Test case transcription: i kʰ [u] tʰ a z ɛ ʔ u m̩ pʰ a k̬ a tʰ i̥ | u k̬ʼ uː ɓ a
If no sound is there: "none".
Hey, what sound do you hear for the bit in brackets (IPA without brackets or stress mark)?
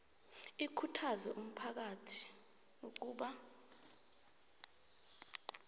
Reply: u